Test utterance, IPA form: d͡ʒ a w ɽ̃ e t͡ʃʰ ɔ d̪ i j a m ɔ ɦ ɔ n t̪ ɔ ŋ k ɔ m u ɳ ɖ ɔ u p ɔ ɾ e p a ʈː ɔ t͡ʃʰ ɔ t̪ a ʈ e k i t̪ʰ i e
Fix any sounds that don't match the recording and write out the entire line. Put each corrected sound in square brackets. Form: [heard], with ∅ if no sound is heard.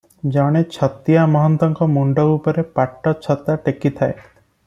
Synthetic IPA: d͡ʒ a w ɽ̃ e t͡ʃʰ ɔ [t̪] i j a m ɔ ɦ ɔ n t̪ ɔ ŋ k ɔ m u ɳ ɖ ɔ u p ɔ ɾ e p a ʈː ɔ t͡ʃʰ ɔ t̪ a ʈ e k i t̪ʰ [a] e